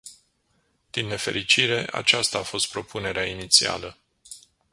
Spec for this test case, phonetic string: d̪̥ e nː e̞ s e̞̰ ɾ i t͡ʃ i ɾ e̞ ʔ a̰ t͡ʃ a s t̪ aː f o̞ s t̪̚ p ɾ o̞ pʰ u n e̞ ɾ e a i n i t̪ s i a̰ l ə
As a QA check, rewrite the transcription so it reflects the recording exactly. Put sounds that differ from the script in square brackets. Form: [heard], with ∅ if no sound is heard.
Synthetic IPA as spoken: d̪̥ [i] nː e̞ [f] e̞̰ ɾ i t͡ʃ i ɾ e̞ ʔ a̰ t͡ʃ a s t̪ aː f o̞ s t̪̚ p ɾ o̞ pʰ u n e̞ ɾ e a i n i t̪ s i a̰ l ə